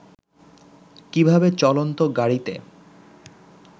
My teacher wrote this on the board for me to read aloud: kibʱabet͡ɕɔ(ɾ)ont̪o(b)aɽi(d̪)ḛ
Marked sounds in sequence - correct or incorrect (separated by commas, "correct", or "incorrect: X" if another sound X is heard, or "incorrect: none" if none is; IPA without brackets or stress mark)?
incorrect: l, incorrect: ɡ, incorrect: t̪